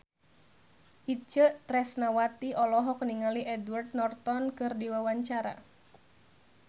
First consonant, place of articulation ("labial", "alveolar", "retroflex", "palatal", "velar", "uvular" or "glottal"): glottal